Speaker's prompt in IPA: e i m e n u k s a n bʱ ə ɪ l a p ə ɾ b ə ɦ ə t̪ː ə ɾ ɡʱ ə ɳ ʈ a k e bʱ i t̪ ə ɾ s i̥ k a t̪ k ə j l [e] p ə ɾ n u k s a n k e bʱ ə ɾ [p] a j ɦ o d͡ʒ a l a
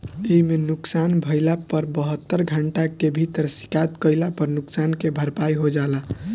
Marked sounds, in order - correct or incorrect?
incorrect, correct

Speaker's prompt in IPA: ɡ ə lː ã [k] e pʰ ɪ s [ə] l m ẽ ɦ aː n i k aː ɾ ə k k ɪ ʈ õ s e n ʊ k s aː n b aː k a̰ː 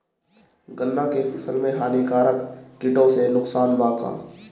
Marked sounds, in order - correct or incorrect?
correct, correct

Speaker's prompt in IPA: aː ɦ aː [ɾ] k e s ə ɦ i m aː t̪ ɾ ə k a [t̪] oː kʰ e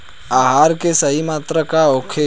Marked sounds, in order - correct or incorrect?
correct, incorrect

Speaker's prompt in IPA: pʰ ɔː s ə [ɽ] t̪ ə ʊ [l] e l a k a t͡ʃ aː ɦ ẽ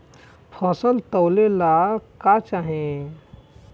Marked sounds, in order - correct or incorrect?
incorrect, correct

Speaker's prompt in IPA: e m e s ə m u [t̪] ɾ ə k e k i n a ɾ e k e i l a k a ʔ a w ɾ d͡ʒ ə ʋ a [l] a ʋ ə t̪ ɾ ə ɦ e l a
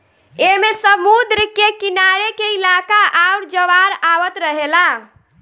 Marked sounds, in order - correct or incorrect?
incorrect, incorrect

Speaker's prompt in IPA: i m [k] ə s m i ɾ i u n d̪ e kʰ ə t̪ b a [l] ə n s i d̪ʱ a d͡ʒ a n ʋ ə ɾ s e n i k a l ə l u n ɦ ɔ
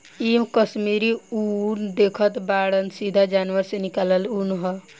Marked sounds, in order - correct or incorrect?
correct, incorrect

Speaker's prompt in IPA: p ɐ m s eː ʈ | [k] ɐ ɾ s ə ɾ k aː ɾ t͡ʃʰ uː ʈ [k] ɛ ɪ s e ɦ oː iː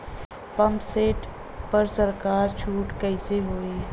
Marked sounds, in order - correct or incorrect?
incorrect, correct

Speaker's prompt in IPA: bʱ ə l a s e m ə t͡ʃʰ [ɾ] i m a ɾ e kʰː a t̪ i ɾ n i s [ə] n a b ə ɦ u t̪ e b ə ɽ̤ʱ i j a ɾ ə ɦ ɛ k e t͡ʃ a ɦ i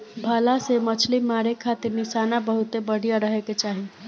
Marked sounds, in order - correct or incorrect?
incorrect, incorrect

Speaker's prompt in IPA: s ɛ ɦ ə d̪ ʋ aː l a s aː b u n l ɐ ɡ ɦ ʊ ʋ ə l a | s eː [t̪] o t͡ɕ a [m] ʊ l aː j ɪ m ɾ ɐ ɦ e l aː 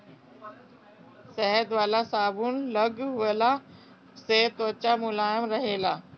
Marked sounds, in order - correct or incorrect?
correct, correct

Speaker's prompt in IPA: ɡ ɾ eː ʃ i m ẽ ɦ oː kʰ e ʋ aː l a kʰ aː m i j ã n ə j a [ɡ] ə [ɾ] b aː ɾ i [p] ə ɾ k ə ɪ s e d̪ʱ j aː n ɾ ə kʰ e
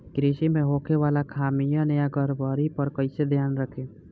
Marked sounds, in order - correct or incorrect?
correct, correct, correct

